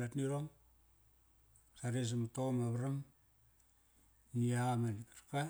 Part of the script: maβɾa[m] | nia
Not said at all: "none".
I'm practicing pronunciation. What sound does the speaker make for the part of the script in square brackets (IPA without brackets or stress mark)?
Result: m